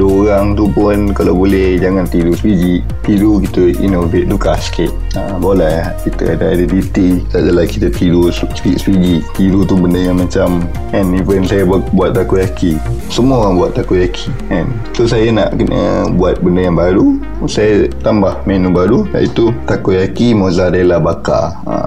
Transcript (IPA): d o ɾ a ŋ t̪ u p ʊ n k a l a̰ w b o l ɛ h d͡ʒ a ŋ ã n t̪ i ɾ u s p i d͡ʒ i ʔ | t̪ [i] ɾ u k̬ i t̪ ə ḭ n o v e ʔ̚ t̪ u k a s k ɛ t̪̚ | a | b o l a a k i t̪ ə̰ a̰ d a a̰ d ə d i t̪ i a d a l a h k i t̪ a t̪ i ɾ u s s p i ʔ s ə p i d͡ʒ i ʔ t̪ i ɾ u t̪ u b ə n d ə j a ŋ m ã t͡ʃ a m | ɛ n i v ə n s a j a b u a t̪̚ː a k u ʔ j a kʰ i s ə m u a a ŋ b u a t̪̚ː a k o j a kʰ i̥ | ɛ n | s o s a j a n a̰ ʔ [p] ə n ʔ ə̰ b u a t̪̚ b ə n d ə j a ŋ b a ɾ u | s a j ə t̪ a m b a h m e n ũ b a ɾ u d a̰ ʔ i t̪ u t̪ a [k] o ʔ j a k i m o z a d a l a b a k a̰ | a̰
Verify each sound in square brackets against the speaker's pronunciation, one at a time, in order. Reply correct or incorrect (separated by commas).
correct, incorrect, correct